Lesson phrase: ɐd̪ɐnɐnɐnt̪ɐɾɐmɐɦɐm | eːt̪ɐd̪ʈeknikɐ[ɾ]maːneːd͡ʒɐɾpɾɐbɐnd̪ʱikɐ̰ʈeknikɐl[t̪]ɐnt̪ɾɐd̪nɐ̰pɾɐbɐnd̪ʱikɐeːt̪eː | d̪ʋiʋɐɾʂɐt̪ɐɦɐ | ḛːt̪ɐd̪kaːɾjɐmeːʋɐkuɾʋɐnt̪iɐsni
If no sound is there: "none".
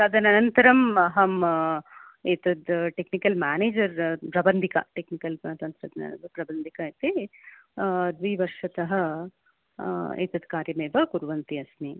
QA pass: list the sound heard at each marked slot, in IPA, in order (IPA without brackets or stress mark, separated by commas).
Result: l, t̪